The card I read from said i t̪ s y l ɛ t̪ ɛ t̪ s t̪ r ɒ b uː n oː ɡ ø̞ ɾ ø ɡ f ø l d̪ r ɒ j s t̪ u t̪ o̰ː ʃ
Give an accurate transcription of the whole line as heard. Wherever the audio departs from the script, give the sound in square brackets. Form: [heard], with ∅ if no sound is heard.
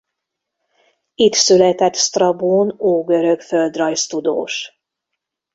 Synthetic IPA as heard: i t̪ s y l ɛ t̪ ɛ t̪ s t̪ r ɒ b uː n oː ɡ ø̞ ɾ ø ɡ f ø l d̪ r ɒ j s t̪ u [d̪] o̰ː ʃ